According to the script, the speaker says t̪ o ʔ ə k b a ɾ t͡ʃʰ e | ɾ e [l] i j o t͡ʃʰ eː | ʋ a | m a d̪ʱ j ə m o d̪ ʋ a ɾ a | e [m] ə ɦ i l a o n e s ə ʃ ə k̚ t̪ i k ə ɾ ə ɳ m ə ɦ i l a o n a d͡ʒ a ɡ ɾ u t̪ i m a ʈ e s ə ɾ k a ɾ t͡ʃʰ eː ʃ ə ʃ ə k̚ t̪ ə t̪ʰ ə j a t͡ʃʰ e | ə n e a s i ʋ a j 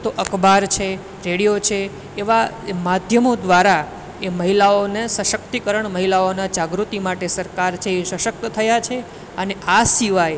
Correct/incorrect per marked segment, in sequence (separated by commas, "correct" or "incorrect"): incorrect, correct